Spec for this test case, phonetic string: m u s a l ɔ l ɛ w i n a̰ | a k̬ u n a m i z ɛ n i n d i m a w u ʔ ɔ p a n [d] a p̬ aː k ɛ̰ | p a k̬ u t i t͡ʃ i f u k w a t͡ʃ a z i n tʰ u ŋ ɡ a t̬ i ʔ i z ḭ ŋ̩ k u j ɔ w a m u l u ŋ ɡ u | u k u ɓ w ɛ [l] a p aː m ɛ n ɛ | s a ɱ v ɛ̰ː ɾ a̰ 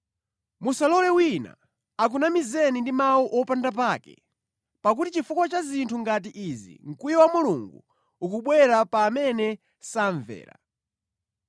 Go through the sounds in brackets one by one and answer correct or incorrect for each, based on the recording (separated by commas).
correct, incorrect